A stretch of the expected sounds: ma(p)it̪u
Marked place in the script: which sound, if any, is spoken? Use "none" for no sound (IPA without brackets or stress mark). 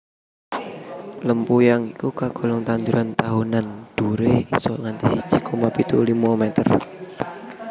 p